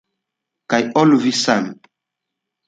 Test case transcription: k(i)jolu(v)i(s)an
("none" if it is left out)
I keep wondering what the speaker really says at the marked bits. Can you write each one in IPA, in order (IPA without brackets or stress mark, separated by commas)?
a, v, s